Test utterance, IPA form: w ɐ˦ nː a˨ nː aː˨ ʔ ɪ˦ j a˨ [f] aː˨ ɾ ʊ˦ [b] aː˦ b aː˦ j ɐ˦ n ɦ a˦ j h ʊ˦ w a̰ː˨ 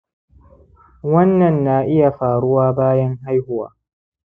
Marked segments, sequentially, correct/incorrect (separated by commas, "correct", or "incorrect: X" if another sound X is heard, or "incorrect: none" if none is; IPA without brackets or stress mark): correct, incorrect: w